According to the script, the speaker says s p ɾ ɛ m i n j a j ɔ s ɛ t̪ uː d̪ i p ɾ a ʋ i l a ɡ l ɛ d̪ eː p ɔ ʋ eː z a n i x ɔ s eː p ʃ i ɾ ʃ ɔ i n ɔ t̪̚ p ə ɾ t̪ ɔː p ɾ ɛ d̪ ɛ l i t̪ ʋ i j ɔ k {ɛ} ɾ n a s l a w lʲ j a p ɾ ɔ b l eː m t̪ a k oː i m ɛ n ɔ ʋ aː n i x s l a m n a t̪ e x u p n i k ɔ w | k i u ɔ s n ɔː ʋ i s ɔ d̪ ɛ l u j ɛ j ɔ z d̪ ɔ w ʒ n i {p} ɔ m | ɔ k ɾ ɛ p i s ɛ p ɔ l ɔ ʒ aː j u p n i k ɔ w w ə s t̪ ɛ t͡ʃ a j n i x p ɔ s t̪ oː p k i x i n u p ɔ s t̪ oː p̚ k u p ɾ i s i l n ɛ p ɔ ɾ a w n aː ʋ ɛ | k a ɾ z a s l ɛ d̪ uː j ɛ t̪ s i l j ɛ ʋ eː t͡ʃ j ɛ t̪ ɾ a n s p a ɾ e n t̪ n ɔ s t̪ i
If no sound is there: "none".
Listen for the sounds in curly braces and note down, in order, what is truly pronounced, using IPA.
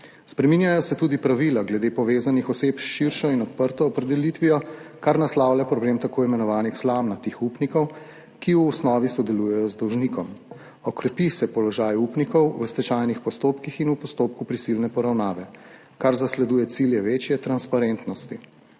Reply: a, k

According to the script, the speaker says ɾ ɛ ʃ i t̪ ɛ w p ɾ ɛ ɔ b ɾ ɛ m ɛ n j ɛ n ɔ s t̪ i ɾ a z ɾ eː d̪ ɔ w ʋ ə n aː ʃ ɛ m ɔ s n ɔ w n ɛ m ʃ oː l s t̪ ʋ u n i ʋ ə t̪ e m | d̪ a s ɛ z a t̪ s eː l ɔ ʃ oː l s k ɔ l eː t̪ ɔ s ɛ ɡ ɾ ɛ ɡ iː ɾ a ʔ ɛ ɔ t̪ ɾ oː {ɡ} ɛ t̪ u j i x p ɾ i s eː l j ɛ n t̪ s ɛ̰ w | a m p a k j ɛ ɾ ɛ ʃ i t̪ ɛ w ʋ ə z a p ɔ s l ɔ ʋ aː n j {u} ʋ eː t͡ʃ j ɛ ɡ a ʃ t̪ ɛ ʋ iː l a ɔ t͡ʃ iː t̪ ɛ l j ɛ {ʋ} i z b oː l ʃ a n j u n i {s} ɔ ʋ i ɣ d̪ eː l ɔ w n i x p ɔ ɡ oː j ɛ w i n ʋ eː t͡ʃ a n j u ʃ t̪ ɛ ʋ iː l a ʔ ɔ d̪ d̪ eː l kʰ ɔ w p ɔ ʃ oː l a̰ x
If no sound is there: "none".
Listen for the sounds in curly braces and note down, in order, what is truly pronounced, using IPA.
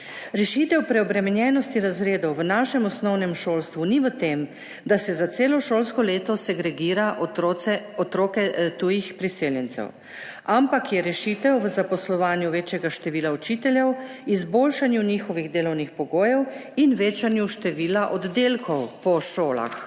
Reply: k, u, w, x

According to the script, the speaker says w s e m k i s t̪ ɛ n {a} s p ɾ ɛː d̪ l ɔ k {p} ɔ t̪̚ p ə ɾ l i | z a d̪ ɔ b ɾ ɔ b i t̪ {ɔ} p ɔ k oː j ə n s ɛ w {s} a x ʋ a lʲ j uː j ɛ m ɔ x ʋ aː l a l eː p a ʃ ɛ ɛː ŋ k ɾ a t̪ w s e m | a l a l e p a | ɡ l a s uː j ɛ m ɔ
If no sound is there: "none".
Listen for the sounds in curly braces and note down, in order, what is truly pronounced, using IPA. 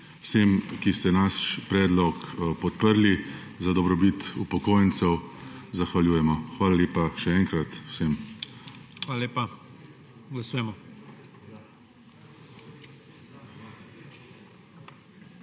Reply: a, p, u, z

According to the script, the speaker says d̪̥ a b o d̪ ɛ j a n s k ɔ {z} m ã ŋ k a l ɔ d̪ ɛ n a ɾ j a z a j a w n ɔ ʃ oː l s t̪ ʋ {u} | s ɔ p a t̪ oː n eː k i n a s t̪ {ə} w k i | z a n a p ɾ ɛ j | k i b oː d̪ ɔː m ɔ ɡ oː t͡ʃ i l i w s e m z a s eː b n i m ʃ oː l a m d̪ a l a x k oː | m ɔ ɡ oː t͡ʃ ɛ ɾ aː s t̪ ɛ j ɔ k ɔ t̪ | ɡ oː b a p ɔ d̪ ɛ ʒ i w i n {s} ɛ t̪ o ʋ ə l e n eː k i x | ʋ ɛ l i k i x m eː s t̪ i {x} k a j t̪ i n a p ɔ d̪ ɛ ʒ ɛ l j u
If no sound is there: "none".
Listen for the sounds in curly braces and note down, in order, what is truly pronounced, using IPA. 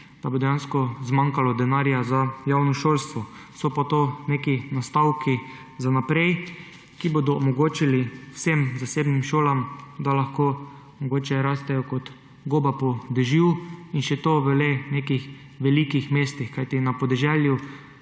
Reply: z, ɔ, a, ʃ, x

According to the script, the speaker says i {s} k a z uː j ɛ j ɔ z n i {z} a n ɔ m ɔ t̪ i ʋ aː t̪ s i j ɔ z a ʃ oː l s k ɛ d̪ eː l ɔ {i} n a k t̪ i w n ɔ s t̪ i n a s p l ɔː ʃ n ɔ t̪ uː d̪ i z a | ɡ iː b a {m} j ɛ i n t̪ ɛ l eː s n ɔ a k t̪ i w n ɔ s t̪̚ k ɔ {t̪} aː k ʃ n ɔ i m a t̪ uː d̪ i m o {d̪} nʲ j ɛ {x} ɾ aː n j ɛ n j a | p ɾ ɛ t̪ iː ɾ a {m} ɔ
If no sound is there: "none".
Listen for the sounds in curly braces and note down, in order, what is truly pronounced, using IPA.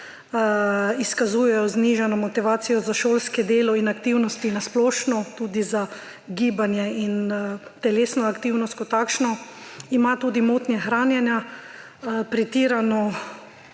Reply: s, ʒ, i, n, t̪, t̪, x, n

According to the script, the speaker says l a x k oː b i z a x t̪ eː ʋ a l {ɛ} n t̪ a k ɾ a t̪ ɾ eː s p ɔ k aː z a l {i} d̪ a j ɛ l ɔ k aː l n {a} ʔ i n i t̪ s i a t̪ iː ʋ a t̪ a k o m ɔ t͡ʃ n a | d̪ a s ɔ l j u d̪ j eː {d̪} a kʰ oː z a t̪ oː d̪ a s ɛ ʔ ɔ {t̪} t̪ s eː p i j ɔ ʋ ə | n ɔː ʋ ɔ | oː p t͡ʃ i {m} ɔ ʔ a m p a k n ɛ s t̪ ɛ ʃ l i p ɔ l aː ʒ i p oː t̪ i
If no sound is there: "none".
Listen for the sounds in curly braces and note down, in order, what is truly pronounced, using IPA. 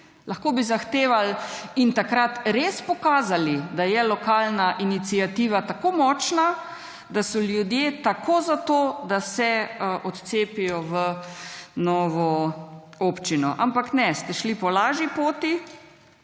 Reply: i, i, a, t̪, t̪, n

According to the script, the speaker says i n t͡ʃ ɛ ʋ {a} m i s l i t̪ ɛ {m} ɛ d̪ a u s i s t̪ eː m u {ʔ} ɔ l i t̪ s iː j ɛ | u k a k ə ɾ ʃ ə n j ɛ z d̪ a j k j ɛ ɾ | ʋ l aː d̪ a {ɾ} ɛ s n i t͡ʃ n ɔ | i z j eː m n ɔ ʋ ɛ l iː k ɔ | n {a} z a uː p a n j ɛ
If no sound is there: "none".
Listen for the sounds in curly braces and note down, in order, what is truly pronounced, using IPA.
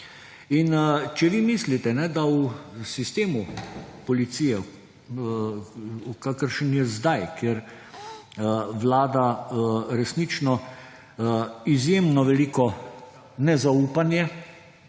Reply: i, n, p, ɾ, ɛ

